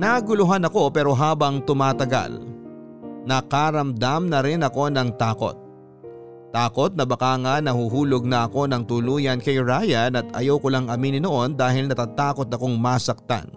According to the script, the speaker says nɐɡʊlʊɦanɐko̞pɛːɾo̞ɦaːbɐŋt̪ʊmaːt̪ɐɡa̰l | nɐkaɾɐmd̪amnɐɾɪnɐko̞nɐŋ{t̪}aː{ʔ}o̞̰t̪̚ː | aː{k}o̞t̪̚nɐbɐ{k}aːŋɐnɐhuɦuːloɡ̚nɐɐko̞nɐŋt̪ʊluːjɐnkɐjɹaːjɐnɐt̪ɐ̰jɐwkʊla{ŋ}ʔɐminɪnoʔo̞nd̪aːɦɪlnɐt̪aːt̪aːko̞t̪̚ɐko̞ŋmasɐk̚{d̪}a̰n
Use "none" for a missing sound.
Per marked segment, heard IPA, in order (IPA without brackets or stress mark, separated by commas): t̪, k, k, k, ŋ, t̪